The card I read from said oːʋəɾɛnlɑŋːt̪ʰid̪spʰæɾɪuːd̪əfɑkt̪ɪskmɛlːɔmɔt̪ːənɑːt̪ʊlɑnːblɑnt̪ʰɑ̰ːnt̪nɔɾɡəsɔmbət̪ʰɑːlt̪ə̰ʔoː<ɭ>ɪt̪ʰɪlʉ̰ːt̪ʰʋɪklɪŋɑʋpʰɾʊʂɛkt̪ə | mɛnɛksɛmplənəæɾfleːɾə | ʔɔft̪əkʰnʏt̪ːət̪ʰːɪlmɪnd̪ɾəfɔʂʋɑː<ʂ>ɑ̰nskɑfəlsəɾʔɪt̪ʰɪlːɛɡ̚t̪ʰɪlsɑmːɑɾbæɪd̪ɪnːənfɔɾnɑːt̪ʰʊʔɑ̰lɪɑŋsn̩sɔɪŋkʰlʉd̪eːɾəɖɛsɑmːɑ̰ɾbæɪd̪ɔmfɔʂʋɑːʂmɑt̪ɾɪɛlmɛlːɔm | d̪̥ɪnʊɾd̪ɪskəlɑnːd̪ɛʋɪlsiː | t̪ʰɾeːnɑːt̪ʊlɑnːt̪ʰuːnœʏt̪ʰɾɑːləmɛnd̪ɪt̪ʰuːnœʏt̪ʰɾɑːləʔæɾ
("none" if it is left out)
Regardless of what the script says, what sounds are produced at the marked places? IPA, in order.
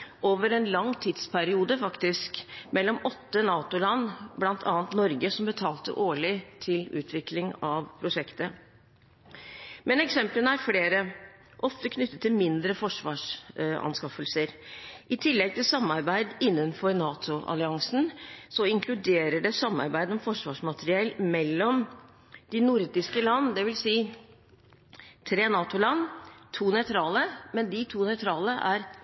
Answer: ɭ, ʂ

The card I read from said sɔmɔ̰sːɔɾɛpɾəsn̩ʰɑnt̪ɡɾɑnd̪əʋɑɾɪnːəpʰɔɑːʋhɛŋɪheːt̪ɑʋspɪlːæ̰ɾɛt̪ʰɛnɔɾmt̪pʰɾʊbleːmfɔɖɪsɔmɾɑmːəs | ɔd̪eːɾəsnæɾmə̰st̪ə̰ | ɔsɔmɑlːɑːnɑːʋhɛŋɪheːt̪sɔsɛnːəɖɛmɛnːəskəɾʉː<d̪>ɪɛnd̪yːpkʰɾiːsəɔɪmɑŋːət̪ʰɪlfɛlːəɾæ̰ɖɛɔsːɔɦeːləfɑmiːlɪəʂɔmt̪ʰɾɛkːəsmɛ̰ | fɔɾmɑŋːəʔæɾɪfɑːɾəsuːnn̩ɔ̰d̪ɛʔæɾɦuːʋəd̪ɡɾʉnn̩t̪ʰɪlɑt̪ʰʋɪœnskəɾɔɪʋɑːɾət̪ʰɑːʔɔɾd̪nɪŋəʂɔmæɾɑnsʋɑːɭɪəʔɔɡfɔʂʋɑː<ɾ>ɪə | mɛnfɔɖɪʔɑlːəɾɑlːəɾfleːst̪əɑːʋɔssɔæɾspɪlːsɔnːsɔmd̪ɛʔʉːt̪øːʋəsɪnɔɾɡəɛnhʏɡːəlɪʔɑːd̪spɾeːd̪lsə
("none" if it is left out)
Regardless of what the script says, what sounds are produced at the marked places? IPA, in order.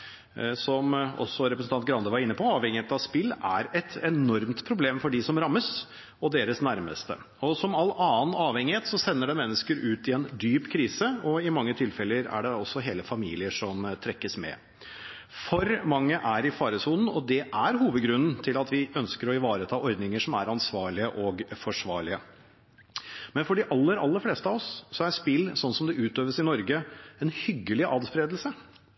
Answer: t̪, ɭ

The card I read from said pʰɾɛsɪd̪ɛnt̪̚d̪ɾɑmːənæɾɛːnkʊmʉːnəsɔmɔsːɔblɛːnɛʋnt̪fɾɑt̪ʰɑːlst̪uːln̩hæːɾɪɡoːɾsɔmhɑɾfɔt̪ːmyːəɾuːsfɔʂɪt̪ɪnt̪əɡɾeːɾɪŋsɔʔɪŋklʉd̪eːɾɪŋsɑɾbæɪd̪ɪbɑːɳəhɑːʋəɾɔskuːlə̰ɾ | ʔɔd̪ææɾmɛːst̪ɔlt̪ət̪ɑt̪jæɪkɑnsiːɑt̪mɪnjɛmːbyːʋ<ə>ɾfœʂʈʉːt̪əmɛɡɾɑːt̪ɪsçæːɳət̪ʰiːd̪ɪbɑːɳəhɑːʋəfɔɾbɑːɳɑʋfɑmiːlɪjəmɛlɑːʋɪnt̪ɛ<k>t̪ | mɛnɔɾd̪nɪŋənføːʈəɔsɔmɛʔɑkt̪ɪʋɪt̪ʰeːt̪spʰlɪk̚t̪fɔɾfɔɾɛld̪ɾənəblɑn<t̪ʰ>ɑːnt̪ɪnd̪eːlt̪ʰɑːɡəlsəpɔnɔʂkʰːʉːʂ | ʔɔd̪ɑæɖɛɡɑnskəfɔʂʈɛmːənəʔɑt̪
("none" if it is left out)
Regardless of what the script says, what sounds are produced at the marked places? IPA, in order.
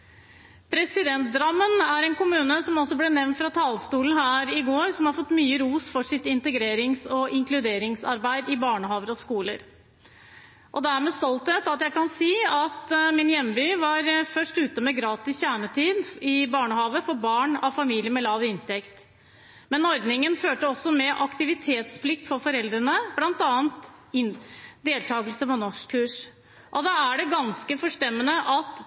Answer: ɑ, k, t̪

